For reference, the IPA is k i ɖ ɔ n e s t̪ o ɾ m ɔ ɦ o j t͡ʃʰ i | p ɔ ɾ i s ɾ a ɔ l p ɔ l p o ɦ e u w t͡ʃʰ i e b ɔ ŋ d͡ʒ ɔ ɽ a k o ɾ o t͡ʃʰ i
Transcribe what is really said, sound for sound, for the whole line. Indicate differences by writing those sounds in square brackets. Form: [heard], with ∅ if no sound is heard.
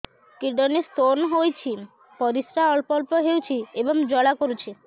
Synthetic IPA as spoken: k i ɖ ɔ n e s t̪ o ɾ [n] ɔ ɦ o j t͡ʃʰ i | p ɔ ɾ i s ɾ a ɔ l p ɔ l p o ɦ e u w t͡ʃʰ i e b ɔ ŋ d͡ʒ ɔ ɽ a k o ɾ [u] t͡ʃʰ i

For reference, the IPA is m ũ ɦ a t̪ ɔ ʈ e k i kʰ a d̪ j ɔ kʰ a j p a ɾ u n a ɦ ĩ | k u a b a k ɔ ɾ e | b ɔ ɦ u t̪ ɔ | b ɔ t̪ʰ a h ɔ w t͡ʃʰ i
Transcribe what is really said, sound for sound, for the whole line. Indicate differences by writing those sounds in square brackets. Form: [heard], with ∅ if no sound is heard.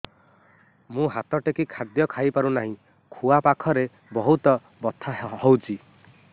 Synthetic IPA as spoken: m ũ ɦ a t̪ ɔ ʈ e k i kʰ a d̪ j ɔ kʰ a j p a ɾ u n a ɦ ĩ | [kʰ] u a [p] a [kʰ] ɔ ɾ e | b ɔ ɦ u t̪ ɔ | b ɔ t̪ʰ a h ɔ w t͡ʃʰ i

